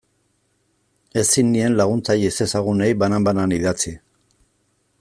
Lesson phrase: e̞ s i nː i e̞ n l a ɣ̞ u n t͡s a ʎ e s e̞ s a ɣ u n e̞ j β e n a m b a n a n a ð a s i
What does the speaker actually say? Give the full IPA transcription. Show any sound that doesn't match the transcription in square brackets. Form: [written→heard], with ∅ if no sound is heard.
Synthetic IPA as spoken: e̞ s i nː i e̞ n l a ɣ̞ u n t͡s a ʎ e s e̞ s a ɣ u n e̞ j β [e→a] n a m b a n a n [a→i] ð a [s→t͡s] i